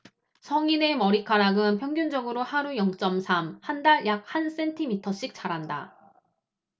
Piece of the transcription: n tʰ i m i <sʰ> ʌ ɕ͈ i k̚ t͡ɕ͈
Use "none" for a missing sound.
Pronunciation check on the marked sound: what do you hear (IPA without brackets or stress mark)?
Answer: tʰ